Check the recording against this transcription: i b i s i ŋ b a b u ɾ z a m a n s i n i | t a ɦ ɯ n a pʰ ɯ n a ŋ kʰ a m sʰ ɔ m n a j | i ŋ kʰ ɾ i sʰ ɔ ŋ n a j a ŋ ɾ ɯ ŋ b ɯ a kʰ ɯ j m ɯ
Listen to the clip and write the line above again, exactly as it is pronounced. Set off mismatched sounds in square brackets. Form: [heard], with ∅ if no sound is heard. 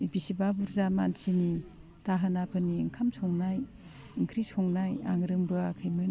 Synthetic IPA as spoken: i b i s i [∅] b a b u ɾ z a m a n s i n i | t a ɦ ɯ n a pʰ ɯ n [i] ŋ kʰ a m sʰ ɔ [ŋ] n a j | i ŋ kʰ ɾ i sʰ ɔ ŋ n a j a ŋ ɾ ɯ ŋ b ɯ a kʰ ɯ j m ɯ